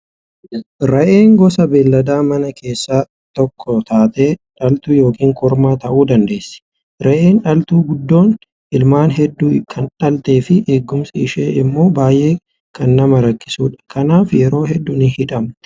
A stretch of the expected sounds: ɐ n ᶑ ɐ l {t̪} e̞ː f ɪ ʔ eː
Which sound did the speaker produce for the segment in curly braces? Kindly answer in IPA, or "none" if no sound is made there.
t̪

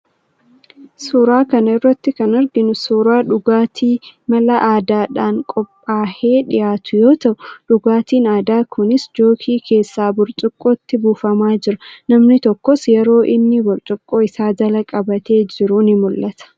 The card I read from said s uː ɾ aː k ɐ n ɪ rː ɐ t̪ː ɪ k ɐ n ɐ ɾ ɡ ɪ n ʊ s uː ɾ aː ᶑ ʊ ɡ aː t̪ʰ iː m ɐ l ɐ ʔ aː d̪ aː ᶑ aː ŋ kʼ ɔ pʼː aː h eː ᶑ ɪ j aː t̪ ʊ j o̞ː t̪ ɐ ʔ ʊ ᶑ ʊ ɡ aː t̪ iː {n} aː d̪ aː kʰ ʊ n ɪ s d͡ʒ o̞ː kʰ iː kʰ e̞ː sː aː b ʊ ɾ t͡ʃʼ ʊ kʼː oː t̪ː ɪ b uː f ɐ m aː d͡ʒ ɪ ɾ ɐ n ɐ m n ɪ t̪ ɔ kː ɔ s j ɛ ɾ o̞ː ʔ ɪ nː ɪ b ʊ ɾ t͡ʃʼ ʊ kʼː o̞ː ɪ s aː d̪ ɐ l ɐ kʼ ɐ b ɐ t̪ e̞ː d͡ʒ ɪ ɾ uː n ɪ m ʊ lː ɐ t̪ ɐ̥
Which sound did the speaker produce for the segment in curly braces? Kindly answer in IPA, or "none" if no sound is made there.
n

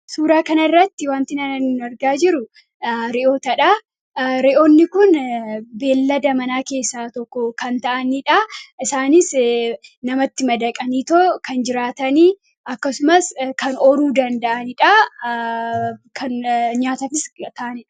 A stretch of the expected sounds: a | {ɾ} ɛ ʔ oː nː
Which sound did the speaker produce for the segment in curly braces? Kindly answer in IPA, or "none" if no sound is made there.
ɾ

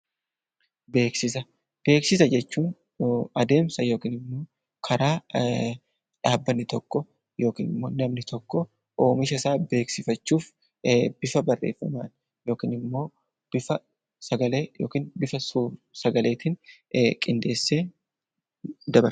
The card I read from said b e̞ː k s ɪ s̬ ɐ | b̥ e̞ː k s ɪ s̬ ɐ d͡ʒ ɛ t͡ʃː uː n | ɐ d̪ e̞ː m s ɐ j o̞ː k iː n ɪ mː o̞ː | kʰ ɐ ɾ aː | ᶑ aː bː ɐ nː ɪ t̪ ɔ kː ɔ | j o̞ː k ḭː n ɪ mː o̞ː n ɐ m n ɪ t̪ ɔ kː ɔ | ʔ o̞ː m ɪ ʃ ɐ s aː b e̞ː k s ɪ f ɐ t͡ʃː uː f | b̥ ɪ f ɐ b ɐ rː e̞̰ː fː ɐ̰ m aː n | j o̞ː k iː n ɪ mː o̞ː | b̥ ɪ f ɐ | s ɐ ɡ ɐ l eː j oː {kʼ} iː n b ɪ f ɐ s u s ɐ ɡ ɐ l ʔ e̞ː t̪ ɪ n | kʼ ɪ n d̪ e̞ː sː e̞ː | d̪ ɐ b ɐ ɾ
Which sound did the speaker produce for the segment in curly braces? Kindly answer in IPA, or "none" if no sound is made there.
k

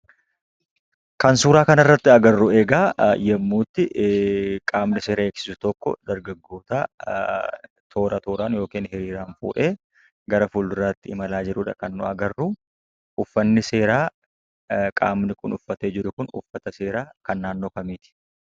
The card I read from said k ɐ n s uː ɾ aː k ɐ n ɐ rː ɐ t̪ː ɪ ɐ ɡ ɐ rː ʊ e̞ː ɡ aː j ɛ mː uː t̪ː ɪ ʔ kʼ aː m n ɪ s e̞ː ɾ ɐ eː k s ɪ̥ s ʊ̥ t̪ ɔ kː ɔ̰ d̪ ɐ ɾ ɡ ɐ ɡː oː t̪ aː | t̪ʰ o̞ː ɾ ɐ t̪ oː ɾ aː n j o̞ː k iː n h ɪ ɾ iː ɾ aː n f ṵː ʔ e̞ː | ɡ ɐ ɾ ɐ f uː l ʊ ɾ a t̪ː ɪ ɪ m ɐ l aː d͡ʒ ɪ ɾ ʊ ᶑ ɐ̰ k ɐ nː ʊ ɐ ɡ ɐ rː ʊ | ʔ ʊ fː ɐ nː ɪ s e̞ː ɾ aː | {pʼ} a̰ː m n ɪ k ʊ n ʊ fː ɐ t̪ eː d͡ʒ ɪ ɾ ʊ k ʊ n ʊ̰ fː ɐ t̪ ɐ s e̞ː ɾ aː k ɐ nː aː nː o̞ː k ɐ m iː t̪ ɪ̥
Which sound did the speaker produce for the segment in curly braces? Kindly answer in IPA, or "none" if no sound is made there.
kʼ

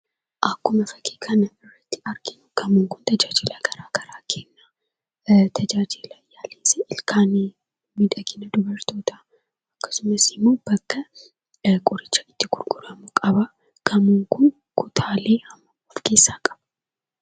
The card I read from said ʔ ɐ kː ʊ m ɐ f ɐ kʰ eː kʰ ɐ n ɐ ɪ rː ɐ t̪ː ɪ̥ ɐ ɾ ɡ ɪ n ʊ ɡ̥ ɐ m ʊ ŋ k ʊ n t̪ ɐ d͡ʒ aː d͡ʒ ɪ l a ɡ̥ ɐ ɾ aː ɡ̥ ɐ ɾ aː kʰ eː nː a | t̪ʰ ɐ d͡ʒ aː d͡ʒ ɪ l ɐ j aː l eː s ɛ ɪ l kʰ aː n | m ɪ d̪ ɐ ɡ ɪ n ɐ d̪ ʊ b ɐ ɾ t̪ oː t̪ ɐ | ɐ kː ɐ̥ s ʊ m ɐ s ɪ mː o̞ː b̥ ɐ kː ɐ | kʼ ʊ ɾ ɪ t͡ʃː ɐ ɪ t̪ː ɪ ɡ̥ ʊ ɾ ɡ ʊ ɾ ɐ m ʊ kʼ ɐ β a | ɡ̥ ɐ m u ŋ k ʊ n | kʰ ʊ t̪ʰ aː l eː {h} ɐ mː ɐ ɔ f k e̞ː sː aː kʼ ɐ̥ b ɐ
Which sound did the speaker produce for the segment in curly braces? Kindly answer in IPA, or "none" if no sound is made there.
h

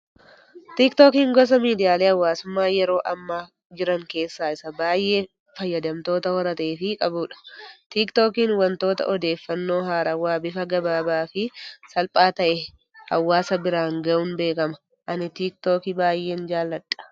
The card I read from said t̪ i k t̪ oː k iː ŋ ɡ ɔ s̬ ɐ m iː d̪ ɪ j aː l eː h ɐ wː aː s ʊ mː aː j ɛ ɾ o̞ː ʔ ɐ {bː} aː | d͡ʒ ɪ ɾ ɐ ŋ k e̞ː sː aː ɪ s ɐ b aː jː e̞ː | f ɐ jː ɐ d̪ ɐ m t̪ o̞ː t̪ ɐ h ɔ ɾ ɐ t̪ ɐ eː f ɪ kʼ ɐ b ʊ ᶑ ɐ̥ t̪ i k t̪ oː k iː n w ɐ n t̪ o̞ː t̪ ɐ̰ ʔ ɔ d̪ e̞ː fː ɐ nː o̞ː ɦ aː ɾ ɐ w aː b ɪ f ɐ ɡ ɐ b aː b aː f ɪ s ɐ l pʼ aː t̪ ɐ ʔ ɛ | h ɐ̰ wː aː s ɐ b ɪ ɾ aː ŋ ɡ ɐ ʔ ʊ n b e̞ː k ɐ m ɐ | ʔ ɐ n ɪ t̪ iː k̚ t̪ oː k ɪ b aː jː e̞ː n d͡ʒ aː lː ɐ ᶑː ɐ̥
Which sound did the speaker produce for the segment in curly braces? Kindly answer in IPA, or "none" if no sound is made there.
mː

